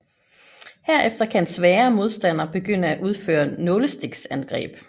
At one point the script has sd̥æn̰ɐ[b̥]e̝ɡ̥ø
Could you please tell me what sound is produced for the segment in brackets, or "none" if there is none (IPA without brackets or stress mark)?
b̥